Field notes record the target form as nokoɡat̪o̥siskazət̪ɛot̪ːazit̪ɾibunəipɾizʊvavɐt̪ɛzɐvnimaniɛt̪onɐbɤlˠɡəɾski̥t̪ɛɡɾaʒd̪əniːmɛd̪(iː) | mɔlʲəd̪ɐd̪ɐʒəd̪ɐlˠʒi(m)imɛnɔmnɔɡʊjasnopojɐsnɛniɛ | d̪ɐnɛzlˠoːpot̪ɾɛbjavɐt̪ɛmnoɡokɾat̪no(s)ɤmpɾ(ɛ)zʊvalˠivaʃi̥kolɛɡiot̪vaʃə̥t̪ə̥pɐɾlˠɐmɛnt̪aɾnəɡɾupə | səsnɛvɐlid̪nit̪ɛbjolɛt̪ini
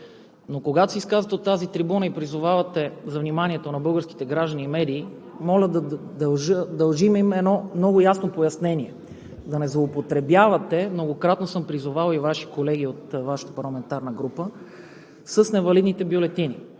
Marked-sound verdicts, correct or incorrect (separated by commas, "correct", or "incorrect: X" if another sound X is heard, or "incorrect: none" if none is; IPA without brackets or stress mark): correct, correct, correct, incorrect: i